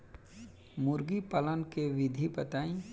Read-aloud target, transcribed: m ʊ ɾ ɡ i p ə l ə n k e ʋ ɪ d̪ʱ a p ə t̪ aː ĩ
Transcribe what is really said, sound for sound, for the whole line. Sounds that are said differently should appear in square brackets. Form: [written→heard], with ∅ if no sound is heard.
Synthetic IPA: m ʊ ɾ ɡ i p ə l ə n k e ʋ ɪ d̪ʱ [a→i] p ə t̪ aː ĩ